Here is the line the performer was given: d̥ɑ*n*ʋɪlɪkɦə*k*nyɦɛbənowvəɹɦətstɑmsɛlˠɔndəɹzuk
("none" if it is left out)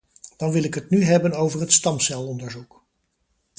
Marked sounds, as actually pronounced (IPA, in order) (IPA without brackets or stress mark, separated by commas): n, t